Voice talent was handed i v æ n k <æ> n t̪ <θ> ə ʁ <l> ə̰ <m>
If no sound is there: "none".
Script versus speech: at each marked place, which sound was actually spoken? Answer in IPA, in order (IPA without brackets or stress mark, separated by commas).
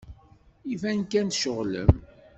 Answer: æ, ʃ, l, m